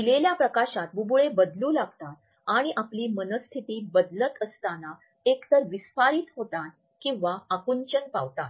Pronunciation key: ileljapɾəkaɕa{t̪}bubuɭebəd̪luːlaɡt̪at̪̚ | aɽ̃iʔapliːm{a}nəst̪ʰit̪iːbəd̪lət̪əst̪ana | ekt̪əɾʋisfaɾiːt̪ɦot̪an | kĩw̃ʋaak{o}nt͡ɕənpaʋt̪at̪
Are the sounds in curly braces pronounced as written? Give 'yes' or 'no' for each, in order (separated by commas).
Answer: yes, no, no